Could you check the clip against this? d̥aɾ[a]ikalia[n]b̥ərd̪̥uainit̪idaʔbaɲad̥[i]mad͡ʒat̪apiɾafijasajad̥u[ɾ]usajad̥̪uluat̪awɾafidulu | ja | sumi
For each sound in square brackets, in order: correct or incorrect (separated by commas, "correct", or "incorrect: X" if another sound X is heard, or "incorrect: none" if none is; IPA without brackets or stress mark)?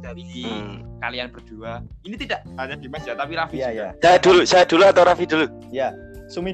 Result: incorrect: i, correct, correct, incorrect: l